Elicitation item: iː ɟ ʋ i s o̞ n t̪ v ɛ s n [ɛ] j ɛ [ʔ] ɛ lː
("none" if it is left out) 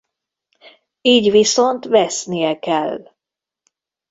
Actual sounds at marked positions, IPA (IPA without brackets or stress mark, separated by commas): i, k